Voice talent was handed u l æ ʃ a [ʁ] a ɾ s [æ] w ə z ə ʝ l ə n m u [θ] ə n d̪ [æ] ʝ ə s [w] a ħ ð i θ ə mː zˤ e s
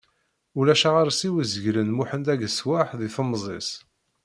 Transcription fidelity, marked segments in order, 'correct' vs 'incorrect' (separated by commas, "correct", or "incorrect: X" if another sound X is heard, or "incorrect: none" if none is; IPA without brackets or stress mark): correct, incorrect: i, incorrect: ħ, correct, correct